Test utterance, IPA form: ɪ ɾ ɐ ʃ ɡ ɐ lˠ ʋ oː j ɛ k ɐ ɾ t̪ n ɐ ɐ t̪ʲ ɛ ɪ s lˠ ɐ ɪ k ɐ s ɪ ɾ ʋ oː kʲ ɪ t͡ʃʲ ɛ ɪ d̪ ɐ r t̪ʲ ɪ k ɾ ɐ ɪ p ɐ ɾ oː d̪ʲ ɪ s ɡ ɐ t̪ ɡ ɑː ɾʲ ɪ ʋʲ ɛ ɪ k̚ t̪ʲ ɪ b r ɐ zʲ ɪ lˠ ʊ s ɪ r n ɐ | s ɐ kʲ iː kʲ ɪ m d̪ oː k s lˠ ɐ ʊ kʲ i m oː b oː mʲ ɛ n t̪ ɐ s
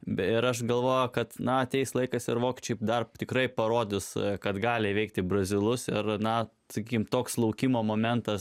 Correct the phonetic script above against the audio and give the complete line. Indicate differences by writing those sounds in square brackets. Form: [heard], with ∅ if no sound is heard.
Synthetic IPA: ɪ ɾ ɐ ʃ ɡ ɐ lˠ ʋ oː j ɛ k ɐ [∅] t̪ n ɐ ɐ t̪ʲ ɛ ɪ s lˠ ɐ ɪ k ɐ s ɪ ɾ ʋ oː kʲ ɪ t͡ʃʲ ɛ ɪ d̪ ɐ r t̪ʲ ɪ k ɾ ɐ ɪ p ɐ ɾ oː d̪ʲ ɪ s [k] ɐ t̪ ɡ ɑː [lʲ] ɪ ʋʲ ɛ ɪ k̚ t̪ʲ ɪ b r ɐ zʲ ɪ lˠ ʊ s ɪ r n ɐ | s ɐ kʲ iː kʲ ɪ m [t̪] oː k s lˠ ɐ ʊ kʲ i m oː [m] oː mʲ ɛ n t̪ ɐ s

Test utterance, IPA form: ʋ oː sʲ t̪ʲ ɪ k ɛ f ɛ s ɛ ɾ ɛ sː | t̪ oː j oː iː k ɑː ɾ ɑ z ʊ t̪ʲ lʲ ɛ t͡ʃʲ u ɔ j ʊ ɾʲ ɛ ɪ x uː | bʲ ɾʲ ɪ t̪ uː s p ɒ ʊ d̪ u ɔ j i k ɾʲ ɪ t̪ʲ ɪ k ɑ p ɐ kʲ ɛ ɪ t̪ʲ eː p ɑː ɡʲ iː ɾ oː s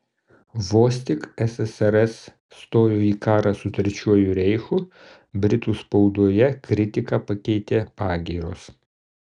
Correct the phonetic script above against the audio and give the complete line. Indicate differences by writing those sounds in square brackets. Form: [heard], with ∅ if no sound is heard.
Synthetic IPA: ʋ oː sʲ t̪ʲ ɪ k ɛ [s] ɛ s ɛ ɾ ɛ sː | t̪ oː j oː iː k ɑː ɾ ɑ [s] ʊ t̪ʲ [ɾʲ] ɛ t͡ʃʲ u ɔ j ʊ ɾʲ ɛ ɪ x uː | bʲ ɾʲ ɪ t̪ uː s p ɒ ʊ d̪ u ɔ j [ɛ] k ɾʲ ɪ t̪ʲ ɪ k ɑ p ɐ kʲ ɛ ɪ t̪ʲ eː p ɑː ɡʲ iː ɾ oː s

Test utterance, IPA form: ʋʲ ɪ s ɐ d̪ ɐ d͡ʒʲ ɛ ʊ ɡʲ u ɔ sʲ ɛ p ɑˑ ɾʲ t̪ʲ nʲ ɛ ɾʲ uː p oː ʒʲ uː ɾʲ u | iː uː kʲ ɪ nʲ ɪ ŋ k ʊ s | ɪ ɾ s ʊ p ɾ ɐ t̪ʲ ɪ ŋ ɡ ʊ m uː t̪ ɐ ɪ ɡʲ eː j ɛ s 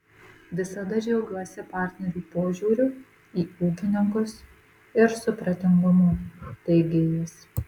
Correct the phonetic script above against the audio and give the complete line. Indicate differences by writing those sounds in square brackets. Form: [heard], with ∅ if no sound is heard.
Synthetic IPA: ʋʲ ɪ s ɐ d̪ ɐ d͡ʒʲ ɛ ʊ ɡʲ u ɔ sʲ ɛ p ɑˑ ɾʲ t̪ʲ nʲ ɛ ɾʲ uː p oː ʒʲ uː ɾʲ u | iː uː kʲ ɪ nʲ ɪ ŋ k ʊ s | ɪ ɾ s ʊ p ɾ ɐ t̪ʲ ɪ ŋ ɡ ʊ m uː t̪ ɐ ɪ ɡʲ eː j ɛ s

